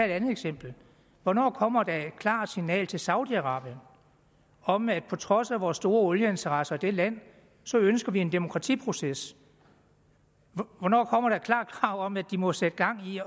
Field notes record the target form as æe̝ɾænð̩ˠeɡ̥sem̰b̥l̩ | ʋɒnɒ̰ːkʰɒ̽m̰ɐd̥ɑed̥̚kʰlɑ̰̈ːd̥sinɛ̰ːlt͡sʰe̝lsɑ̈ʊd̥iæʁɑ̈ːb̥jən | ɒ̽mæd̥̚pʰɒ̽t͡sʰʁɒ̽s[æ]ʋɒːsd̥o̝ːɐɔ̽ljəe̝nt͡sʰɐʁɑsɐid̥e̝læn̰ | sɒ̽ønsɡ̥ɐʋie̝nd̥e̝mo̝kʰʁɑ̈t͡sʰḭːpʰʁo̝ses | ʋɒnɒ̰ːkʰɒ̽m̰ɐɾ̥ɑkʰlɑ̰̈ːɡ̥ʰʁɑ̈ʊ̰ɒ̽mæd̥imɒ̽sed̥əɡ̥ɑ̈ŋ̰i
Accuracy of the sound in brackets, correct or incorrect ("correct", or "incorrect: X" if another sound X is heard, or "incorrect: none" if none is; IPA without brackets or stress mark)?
correct